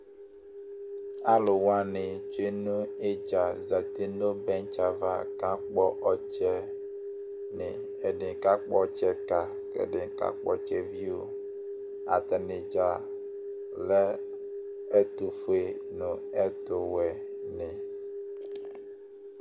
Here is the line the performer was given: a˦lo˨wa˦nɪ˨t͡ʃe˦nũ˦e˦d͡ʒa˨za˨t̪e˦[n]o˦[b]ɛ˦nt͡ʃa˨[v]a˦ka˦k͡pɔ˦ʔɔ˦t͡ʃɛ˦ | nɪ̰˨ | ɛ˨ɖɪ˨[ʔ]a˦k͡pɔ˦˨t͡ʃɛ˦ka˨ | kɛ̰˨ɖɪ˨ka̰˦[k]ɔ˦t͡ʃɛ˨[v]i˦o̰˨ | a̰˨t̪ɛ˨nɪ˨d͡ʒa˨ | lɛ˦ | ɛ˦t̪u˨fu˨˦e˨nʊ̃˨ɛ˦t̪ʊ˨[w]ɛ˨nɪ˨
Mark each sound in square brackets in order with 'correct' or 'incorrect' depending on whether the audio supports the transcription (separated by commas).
correct, correct, correct, incorrect, incorrect, correct, correct